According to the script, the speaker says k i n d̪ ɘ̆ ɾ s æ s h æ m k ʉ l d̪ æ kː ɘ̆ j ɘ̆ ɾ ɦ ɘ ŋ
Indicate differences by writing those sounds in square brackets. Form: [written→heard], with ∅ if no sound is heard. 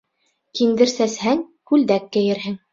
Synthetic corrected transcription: k i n d̪ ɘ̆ ɾ s æ s h æ [m→ŋ] k ʉ l d̪ æ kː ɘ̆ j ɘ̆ ɾ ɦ ɘ ŋ

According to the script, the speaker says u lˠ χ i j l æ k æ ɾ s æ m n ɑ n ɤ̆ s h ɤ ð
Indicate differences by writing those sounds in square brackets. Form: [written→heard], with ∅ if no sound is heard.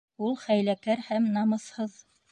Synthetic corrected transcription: u lˠ χ [i→æ] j l æ k æ ɾ [s→h] æ m n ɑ [n→m] ɤ̆ s h ɤ ð

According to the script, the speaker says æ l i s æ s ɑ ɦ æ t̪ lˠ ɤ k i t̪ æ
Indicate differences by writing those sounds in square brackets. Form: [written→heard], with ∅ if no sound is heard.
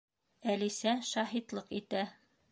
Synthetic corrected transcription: æ l i s æ [s→ʃ] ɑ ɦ [æ→i] t̪ lˠ ɤ [k→q] i t̪ æ

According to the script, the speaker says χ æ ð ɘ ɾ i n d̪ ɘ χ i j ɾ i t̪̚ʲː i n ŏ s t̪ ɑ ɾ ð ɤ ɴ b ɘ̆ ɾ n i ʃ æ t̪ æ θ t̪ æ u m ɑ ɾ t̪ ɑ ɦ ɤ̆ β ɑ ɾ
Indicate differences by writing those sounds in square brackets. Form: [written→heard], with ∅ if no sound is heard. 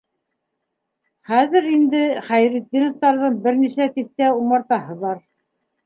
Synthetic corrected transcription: χ æ ð ɘ ɾ i n d̪ ɘ χ [i→æ] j ɾ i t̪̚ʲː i n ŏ s t̪ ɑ ɾ ð ɤ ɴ b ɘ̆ ɾ n i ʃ æ t̪ [æ→i] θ t̪ æ u m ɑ ɾ t̪ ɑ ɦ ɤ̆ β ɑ ɾ

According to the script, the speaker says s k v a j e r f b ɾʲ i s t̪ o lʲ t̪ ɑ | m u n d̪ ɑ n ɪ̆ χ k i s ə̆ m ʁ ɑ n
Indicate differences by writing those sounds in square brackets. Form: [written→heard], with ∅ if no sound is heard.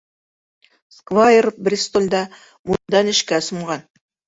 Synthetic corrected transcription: s k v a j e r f b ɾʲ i s t̪ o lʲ [t̪→d̪] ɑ | m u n d̪ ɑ n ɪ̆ [χ→ʃ] k [i→æ] s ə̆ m ʁ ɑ n

